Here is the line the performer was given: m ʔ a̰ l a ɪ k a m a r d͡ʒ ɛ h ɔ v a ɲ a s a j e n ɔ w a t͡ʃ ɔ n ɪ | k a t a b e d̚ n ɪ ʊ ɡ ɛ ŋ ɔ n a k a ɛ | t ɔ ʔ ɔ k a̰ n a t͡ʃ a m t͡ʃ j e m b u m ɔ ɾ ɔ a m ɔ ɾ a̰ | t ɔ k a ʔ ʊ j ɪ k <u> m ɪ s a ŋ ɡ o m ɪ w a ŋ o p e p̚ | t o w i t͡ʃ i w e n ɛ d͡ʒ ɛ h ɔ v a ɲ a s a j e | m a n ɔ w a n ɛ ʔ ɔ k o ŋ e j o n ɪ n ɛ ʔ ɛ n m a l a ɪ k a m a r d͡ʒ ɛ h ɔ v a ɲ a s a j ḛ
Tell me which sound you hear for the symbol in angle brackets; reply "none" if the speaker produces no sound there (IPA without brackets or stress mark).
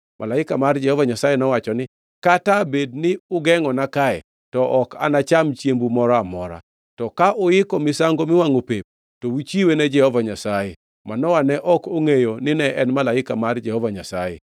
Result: ɔ